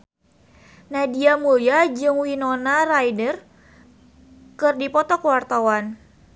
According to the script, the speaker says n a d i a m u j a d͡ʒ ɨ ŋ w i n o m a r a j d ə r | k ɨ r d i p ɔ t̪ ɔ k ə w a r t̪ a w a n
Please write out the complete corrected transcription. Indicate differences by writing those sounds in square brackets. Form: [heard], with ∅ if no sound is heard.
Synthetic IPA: n a d i a m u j a d͡ʒ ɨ ŋ w i n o [n] a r a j d ə r | k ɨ r d i p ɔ t̪ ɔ k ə w a r t̪ a w a n